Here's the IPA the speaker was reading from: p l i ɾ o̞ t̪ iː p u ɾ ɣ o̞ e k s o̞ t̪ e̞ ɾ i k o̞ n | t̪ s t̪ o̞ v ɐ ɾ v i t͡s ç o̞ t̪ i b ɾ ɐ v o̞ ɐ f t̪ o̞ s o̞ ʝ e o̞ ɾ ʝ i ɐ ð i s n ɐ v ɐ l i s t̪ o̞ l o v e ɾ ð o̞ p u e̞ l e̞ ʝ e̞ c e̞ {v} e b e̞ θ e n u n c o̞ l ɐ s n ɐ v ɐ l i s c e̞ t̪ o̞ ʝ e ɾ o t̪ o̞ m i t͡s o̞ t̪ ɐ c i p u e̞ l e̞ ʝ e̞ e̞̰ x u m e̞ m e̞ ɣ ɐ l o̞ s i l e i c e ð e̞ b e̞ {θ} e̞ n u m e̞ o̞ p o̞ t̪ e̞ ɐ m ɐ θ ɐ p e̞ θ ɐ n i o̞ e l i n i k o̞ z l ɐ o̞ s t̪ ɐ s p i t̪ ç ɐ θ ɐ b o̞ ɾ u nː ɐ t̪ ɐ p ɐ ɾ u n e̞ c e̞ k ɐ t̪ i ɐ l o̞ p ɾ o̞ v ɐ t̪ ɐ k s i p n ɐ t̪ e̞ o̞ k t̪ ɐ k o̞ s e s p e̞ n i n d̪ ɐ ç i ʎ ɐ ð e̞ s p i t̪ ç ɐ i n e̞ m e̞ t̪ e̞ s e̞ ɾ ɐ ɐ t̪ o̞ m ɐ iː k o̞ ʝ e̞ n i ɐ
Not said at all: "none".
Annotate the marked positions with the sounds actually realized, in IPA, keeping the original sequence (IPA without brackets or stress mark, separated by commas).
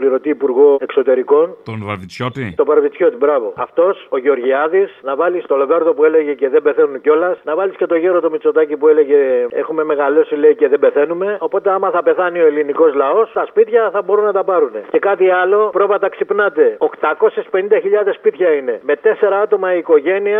ð, θ